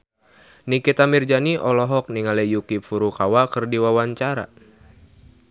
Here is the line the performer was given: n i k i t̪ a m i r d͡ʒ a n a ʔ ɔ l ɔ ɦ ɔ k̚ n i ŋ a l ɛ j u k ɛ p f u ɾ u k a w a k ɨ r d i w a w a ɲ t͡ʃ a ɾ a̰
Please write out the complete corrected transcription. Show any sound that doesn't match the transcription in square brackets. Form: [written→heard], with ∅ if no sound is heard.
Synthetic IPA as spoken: n i k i t̪ a m i r d͡ʒ a n [a→i] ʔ ɔ l ɔ ɦ ɔ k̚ n i ŋ a l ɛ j u k [ɛ→i] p f u ɾ u k a w a k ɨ r d i w a w a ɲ t͡ʃ a ɾ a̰